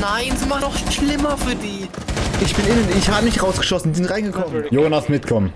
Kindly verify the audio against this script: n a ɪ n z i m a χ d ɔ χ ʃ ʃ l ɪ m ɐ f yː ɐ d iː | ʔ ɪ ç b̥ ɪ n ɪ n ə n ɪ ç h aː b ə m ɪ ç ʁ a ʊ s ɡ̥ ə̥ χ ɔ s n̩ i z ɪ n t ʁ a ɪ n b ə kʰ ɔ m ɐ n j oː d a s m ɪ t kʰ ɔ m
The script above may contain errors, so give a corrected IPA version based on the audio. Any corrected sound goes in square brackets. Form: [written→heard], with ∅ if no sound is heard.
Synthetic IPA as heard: n a ɪ n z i m a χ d ɔ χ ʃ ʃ l ɪ m ɐ f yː ɐ d iː | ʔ ɪ ç b̥ ɪ n ɪ n ə n ɪ ç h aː b ə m ɪ ç ʁ a ʊ s ɡ̥ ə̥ [χ→ʃ] ɔ s n̩ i z ɪ n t ʁ a ɪ n [b→ɡ] ə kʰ ɔ m [ɐ→ə] n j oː [d→n] a s m ɪ t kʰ ɔ m